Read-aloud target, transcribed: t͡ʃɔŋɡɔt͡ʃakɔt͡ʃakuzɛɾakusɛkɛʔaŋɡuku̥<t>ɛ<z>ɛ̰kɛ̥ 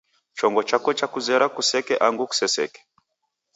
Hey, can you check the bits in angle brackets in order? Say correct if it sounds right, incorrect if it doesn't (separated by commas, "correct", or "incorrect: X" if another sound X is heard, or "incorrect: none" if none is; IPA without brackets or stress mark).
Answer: incorrect: s, incorrect: s